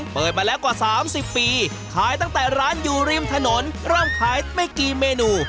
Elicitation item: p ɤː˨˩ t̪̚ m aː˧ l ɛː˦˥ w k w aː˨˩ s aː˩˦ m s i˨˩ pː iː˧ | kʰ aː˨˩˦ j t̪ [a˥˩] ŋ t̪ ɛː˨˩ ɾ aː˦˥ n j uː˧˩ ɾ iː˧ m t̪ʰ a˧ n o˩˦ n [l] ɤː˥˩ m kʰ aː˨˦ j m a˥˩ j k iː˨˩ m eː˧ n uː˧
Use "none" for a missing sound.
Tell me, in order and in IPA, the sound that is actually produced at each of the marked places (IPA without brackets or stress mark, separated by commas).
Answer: a˥˩, ɾ